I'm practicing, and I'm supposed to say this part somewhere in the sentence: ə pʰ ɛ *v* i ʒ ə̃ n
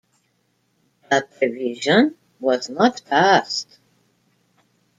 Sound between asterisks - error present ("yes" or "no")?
no